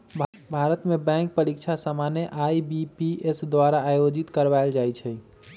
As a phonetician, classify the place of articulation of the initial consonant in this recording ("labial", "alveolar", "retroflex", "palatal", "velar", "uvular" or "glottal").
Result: labial